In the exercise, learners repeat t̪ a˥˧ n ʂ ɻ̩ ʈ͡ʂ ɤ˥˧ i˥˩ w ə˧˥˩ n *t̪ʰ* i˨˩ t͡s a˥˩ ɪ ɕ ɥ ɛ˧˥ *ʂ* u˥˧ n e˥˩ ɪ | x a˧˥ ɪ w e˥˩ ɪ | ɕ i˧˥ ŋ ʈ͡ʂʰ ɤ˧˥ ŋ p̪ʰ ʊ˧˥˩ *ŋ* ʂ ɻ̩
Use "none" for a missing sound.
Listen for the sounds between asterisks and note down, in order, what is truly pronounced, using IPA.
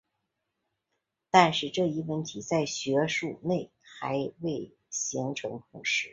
t̪ʰ, ʂ, ŋ

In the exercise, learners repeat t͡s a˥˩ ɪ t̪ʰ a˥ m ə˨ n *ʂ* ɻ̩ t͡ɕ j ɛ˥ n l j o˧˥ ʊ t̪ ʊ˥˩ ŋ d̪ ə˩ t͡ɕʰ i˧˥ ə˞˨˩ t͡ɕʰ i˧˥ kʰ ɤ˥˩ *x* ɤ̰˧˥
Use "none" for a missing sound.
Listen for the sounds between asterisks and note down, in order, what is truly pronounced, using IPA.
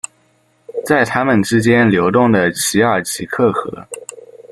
ʈ͡ʂ, x

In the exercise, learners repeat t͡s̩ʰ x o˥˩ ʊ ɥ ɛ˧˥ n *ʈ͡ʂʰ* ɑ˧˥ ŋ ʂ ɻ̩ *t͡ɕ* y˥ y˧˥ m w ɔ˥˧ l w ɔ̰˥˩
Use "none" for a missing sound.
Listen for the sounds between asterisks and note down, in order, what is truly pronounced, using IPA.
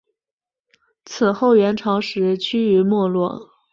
ʈ͡ʂʰ, t͡ɕʰ

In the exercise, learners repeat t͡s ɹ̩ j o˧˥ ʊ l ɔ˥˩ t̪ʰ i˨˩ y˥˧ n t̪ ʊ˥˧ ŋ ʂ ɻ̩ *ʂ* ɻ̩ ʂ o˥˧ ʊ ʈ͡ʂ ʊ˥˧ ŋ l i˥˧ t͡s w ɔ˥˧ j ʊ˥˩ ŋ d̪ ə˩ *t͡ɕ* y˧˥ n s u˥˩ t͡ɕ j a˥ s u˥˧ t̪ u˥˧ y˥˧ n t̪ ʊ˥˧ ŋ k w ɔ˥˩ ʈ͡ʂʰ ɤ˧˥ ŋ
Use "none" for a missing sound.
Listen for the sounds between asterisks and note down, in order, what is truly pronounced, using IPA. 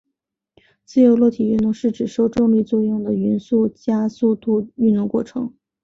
ʈ͡ʂ, none

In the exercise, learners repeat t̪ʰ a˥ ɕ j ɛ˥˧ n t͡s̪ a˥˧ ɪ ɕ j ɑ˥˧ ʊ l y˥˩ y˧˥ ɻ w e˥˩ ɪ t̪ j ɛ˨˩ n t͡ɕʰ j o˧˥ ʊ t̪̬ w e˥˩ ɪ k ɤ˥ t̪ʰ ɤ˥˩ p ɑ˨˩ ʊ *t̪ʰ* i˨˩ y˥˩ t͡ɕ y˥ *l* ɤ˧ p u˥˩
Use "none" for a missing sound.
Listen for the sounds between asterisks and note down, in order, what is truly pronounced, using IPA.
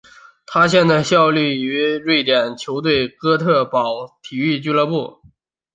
t̪ʰ, l

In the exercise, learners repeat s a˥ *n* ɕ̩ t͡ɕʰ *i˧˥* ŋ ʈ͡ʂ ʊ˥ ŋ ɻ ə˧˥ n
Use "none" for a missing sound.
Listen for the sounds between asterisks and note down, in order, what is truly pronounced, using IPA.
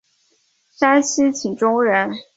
n, i˨˩

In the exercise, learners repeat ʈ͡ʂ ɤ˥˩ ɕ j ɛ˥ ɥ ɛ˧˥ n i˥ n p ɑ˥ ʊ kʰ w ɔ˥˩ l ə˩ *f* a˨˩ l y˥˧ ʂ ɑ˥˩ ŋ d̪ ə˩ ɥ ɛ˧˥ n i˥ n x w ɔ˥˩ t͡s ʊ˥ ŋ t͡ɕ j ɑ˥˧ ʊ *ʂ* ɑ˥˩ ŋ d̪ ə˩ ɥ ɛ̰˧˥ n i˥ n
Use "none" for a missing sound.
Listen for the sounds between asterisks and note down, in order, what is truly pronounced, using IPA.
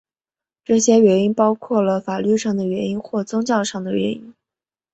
f, ʂ

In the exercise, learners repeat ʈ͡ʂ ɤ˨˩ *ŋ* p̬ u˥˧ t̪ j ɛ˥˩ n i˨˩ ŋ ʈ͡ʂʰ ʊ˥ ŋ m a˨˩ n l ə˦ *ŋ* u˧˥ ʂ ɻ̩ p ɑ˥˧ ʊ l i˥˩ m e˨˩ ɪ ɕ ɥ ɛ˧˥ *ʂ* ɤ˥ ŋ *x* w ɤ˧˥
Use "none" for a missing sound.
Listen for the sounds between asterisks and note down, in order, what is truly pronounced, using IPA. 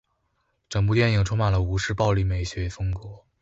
ŋ, none, f, k

